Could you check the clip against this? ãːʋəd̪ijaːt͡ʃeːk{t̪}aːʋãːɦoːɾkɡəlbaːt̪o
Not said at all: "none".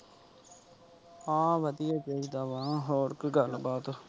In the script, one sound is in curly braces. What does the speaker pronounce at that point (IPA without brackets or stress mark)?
d̪